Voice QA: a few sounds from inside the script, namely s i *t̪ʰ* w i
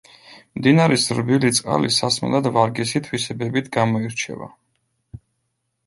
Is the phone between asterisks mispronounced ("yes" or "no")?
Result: no